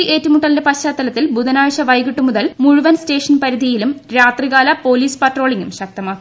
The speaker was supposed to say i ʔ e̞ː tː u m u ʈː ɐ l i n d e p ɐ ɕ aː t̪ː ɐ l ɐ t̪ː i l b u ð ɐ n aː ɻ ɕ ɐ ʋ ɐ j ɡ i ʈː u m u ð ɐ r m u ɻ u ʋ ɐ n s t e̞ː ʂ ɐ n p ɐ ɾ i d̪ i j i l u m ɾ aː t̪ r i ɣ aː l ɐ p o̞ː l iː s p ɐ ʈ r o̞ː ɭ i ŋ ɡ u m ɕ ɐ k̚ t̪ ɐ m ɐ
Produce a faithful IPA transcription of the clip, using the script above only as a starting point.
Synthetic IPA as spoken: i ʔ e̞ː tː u m u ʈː ɐ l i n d e p ɐ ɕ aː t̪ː ɐ l ɐ t̪ː i l b u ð ɐ n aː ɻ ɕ ɐ ʋ ɐ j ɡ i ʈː u m u ð ɐ l m u ɻ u ʋ ɐ n s t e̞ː ʂ ɐ n p ɐ ɾ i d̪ i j i l u m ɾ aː t̪ r i ɣ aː l ɐ p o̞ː l iː s p ɐ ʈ r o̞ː ɭ i ŋ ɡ u m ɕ ɐ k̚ t̪ ɐ m ɐ